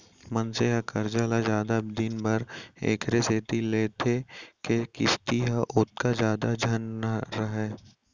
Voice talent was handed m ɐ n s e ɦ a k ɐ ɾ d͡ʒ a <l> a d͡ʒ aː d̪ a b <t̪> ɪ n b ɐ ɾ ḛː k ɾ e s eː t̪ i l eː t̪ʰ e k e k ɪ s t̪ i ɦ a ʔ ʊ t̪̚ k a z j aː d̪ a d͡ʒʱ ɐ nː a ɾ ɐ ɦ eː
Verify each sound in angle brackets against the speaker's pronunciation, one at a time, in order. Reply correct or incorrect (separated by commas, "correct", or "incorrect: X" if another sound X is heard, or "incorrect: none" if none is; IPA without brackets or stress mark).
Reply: correct, incorrect: d̪